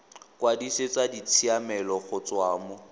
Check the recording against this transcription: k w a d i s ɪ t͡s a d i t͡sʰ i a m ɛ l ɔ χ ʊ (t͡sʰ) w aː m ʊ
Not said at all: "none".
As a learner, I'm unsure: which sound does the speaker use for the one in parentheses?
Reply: t͡s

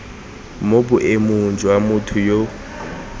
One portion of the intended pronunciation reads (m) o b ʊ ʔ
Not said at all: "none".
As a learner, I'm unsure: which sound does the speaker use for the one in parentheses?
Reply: m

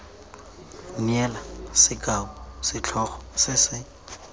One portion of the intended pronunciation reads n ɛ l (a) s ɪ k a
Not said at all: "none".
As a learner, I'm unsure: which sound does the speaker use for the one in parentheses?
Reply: a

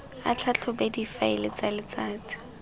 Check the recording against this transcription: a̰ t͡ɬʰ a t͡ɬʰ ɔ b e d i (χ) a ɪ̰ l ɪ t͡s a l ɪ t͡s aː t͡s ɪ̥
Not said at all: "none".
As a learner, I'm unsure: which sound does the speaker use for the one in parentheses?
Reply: f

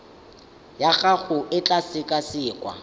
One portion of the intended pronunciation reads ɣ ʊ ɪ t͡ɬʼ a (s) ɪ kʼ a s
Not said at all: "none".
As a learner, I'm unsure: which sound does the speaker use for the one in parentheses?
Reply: s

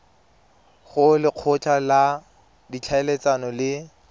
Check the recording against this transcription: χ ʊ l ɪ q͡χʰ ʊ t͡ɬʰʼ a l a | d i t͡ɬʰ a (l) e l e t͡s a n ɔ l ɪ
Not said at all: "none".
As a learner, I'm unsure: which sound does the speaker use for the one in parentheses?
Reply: none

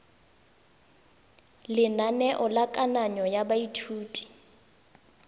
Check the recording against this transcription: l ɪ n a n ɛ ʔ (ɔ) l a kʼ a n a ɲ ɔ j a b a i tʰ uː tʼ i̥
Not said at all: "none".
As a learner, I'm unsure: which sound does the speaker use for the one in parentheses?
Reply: ɔ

